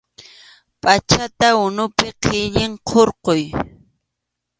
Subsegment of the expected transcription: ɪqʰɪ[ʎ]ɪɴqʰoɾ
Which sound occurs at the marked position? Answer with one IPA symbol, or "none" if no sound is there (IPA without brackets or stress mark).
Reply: ʎ